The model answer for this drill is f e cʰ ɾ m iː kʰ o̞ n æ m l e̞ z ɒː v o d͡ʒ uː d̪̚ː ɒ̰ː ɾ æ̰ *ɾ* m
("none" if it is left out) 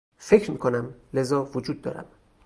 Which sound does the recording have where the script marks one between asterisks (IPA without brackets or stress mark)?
none